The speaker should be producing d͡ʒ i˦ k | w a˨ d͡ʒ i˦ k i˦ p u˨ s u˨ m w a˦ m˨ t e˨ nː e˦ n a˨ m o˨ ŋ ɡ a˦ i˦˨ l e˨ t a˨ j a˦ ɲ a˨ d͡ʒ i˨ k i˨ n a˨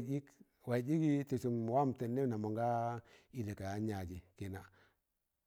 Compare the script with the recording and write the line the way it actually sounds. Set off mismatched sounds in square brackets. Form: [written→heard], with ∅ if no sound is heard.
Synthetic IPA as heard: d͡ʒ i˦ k | w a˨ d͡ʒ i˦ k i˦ [p→t] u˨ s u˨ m w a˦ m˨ t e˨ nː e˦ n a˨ m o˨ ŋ ɡ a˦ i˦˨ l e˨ [t→k] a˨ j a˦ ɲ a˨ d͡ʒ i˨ k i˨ n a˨